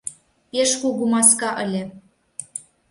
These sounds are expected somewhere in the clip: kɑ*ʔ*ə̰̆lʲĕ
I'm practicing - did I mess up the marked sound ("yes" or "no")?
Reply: no